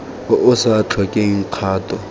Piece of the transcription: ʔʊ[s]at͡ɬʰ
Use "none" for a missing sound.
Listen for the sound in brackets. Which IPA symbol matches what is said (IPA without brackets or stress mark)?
s